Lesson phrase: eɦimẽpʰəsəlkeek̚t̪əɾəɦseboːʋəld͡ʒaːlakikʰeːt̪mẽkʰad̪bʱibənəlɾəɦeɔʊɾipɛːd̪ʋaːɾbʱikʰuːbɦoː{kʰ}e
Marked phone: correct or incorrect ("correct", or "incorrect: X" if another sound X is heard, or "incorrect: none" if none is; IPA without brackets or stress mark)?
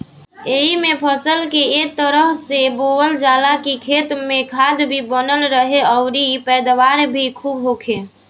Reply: correct